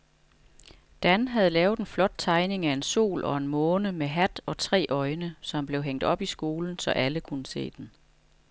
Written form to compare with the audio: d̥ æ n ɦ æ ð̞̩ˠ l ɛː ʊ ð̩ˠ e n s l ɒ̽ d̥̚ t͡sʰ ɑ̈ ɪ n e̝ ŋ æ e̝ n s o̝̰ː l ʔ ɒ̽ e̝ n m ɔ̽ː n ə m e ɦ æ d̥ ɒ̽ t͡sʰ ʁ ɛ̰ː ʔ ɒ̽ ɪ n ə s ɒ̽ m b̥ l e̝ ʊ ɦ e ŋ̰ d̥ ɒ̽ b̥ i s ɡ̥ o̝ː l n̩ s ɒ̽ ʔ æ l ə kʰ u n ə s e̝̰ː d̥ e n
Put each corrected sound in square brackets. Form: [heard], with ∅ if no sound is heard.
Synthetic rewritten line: d̥ æ n ɦ æ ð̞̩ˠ l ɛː ʊ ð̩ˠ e n [f] l ɒ̽ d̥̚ t͡sʰ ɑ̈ ɪ n e̝ ŋ æ e̝ n s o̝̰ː l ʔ ɒ̽ e̝ n m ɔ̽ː n ə m e ɦ æ d̥ ɒ̽ t͡sʰ ʁ ɛ̰ː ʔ ɒ̽ ɪ n ə s ɒ̽ m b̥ l e̝ ʊ ɦ e ŋ̰ d̥ ɒ̽ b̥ i s ɡ̥ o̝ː l n̩ s ɒ̽ ʔ æ l ə kʰ u n ə s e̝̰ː d̥ e n